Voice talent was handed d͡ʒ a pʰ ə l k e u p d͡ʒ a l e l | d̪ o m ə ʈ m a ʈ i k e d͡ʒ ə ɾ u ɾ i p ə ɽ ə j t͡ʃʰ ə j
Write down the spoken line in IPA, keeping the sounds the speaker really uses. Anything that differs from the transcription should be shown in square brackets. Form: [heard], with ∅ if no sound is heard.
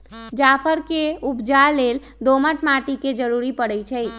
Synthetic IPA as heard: d͡ʒ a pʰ ə [ɾ] k e u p d͡ʒ a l e l | d̪ o m ə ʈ m a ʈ i k e d͡ʒ ə ɾ u ɾ i p ə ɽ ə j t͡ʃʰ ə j